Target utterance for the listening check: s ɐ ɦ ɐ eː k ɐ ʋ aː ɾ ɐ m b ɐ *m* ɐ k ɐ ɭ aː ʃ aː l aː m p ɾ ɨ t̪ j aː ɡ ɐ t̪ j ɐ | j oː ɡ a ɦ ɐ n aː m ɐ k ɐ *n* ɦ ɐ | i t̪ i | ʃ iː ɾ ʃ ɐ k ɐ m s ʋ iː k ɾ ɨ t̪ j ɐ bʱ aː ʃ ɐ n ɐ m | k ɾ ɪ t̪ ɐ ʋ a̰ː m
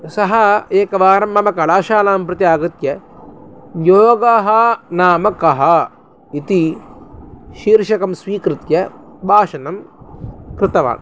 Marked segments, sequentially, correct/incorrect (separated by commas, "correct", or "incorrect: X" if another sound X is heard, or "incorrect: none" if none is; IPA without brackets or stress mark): correct, incorrect: none